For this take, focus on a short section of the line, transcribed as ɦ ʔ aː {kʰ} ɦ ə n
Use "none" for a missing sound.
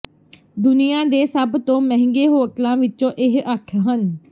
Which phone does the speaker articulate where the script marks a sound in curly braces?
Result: kʰ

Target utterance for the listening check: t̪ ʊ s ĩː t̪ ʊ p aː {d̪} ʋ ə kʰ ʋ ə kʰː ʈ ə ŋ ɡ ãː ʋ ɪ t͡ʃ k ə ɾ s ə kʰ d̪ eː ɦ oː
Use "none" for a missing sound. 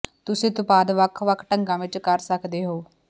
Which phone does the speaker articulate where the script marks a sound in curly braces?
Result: d̪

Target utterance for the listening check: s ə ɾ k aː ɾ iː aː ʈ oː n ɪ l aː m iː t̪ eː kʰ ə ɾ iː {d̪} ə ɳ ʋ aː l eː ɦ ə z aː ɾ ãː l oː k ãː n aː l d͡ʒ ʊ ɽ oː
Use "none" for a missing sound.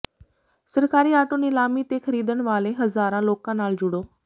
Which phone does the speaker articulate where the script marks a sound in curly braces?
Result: d̪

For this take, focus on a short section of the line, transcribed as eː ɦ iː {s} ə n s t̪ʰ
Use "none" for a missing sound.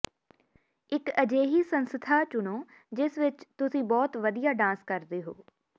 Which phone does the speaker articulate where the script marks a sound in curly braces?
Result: s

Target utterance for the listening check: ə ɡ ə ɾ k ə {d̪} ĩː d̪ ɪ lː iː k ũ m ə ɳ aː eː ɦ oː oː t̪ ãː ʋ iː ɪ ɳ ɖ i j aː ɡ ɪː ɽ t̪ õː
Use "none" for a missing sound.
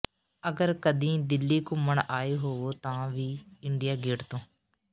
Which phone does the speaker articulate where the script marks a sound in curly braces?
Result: d̪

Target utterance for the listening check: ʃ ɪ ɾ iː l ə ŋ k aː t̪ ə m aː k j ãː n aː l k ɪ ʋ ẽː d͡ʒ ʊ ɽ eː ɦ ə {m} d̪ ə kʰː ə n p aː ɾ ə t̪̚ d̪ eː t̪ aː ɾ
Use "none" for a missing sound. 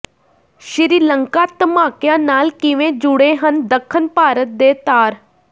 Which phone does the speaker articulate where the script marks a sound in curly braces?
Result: n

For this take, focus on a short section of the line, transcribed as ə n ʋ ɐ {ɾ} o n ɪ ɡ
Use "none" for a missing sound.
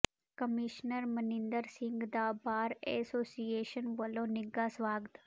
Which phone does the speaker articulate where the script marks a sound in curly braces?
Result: l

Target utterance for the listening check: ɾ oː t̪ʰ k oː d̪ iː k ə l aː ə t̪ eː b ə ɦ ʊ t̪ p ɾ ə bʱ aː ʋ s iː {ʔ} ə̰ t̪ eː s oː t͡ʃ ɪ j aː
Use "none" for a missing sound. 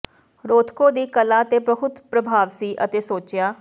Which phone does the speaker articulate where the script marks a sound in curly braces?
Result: ʔ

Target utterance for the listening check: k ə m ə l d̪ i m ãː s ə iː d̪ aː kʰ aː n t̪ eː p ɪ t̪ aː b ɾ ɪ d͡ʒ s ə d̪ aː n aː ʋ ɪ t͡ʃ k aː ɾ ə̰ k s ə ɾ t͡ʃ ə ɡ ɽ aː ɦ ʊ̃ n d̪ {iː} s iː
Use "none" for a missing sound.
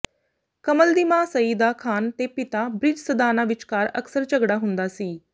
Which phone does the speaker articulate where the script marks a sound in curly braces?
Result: aː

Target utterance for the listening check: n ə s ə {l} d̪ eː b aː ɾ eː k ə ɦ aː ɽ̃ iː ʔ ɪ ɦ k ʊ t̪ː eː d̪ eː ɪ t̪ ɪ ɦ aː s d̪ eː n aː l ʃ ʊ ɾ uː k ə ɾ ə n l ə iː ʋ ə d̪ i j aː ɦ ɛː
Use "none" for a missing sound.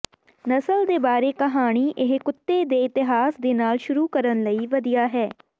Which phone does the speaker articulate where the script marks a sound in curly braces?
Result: l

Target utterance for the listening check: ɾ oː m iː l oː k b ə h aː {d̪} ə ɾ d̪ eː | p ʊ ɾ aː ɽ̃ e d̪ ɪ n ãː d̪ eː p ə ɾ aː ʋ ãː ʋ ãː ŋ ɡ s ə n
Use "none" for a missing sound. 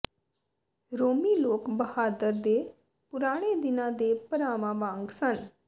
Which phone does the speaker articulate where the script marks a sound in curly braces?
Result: d̪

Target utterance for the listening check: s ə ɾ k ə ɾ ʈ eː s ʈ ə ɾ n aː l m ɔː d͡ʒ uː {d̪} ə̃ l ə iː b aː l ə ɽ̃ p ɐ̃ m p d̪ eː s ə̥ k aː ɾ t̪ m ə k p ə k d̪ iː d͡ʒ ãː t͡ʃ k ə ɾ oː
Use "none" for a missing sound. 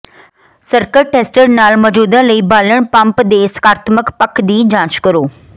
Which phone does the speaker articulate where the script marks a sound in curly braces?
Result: d̪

